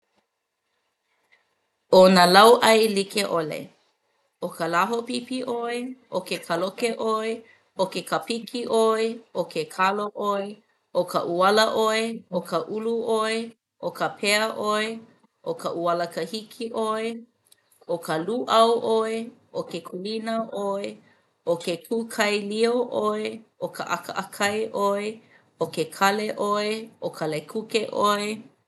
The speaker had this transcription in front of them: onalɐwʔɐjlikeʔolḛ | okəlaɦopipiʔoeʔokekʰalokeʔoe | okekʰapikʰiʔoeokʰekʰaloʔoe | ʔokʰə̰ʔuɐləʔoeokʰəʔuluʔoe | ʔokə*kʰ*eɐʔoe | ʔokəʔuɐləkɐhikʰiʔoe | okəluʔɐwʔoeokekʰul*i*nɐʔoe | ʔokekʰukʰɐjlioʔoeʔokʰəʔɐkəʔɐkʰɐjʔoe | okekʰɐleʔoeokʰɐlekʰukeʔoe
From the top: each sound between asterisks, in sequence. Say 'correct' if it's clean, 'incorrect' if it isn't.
incorrect, correct

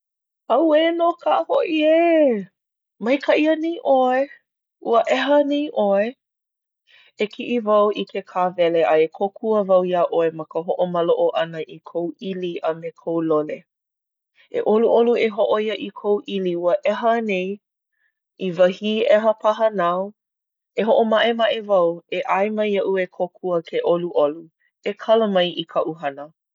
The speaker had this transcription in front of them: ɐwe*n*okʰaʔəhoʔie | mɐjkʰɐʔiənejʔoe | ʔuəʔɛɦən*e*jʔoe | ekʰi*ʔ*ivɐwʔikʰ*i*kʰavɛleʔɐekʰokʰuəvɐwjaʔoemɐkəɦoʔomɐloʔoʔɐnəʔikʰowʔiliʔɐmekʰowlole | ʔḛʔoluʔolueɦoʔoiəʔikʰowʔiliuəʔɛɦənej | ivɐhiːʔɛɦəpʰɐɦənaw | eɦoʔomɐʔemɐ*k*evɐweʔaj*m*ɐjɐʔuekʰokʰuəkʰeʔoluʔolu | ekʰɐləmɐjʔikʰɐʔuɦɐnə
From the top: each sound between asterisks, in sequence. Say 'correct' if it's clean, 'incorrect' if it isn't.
correct, correct, correct, incorrect, incorrect, correct

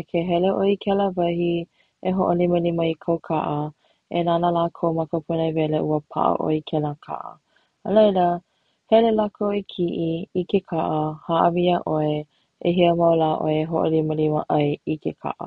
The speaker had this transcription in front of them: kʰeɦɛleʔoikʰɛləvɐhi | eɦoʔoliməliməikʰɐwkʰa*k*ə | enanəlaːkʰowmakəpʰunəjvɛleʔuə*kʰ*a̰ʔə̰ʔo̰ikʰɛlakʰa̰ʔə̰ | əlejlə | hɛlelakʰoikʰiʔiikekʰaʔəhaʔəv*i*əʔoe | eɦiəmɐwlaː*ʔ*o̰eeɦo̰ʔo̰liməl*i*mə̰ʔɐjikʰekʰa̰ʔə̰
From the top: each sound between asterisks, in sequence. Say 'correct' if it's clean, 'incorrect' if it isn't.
incorrect, incorrect, correct, correct, correct

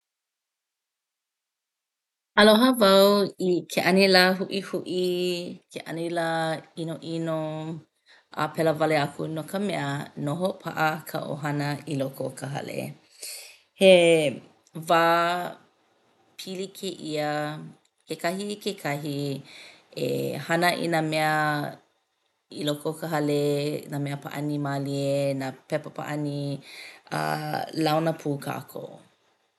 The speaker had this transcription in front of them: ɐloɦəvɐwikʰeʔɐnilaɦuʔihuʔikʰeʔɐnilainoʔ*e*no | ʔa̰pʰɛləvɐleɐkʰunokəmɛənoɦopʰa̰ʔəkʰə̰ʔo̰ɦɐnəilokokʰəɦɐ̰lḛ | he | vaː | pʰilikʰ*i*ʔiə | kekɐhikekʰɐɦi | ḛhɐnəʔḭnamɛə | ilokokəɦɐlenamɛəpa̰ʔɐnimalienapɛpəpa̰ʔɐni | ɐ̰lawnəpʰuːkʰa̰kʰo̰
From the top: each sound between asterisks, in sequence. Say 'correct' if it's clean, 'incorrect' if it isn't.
incorrect, incorrect

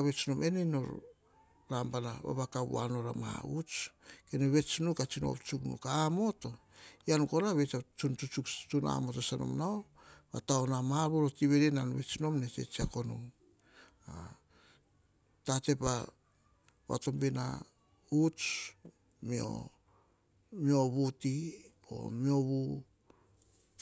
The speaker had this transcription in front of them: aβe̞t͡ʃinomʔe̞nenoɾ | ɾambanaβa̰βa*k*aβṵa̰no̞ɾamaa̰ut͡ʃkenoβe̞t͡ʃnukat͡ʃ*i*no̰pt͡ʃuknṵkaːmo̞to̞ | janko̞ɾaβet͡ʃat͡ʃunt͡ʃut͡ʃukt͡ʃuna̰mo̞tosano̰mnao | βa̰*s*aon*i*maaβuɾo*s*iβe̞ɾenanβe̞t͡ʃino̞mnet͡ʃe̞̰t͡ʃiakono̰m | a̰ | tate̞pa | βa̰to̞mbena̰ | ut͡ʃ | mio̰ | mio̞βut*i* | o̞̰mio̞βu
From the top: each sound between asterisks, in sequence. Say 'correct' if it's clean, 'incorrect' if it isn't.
correct, correct, incorrect, incorrect, incorrect, correct

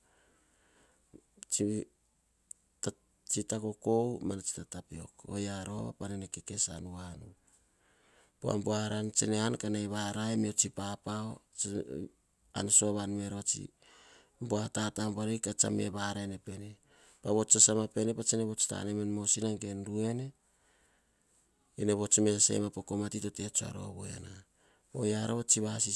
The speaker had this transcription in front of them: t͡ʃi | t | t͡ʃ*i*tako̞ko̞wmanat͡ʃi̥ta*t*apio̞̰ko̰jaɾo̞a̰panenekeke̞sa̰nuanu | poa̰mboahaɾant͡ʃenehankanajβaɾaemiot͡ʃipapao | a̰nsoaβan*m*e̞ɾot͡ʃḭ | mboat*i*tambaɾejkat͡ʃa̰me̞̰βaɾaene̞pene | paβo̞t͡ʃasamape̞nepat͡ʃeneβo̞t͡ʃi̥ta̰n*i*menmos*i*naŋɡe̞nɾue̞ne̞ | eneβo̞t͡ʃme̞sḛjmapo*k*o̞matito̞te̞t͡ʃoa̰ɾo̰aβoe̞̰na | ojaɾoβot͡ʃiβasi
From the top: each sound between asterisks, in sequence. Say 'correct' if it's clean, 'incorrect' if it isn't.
correct, correct, correct, incorrect, incorrect, correct, correct

